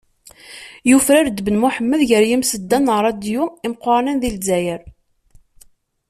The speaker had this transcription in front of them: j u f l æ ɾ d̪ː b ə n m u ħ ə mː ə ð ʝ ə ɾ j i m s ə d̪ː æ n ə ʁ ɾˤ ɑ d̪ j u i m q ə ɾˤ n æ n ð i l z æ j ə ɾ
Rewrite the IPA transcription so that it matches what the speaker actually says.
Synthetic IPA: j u f ɾ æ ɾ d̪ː b ə n m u ħ ə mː ə ð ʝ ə ɾ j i m s ə d̪ː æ n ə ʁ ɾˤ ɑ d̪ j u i m q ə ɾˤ n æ n ð i l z æ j ə ɾ